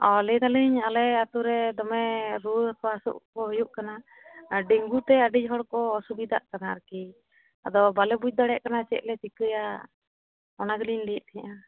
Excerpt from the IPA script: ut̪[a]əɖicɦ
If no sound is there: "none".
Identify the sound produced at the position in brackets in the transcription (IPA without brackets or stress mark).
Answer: ɛ